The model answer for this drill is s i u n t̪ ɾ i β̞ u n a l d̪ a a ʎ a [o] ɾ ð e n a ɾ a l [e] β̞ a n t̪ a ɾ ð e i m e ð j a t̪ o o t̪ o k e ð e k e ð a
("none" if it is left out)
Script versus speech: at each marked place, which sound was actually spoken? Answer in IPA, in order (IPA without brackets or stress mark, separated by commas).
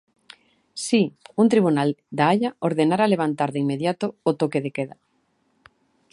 o, e